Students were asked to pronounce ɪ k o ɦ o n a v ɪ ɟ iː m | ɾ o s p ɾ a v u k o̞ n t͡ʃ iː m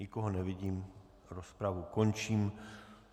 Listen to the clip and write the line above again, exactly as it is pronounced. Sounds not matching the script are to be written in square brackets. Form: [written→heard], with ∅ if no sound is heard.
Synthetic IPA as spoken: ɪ k o ɦ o n [a→ɛ] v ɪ ɟ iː m | ɾ o s p ɾ a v u k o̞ n t͡ʃ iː m